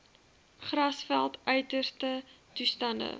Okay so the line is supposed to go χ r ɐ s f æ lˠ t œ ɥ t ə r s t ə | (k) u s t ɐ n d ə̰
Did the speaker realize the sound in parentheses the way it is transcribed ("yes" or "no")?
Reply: no